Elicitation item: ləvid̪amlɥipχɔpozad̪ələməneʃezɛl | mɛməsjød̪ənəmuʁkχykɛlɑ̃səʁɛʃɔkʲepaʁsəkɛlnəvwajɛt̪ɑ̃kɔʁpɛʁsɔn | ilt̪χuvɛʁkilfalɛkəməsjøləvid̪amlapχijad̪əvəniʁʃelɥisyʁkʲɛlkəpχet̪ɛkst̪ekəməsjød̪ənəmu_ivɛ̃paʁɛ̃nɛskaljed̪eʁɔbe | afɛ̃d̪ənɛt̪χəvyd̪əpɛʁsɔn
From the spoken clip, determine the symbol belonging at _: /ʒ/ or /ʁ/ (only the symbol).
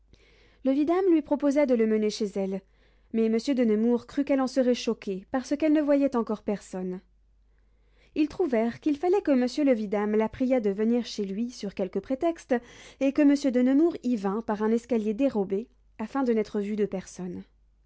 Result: ʁ